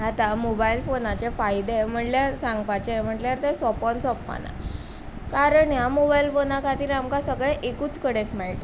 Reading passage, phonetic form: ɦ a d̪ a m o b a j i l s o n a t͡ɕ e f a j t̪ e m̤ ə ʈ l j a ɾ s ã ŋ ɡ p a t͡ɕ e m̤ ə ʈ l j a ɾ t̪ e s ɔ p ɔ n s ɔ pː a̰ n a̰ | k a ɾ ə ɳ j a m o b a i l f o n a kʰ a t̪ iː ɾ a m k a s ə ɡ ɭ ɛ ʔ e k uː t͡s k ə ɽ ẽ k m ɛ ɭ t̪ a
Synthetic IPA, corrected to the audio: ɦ a t̪ a m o b a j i l f o n a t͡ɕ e f a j d̪ e m̤ ə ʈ l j a ɾ s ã ŋ ɡ p a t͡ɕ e m̤ ə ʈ l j a ɾ t̪ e s ɔ p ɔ n s ɔ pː a̰ n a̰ | k a ɾ ə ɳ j a m o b a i l f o n a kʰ a t̪ iː ɾ a m k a s ə ɡ ɭ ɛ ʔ e k uː t͡s k ə ɽ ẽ k m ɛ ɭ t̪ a